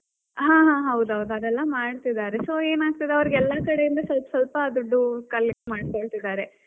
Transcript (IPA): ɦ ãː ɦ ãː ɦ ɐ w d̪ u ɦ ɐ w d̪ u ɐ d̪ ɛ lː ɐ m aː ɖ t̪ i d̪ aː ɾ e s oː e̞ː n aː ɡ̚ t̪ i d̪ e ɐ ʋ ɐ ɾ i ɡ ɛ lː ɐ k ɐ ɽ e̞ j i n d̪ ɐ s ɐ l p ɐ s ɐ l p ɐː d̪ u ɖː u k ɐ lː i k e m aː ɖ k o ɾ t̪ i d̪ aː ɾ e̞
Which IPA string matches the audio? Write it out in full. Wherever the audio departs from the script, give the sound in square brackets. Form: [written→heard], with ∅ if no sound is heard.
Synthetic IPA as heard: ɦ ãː ɦ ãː ɦ ɐ w d̪ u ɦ ɐ w d̪ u ɐ d̪ ɛ lː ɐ m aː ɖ t̪ i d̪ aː ɾ e s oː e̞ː n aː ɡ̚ t̪ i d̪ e ɐ ʋ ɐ ɾ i ɡ ɛ lː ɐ k ɐ ɽ e̞ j i n d̪ ɐ s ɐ l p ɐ s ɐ l p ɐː d̪ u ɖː u k ɐ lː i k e m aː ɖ k o [ɾ→ɭ] t̪ i d̪ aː ɾ e̞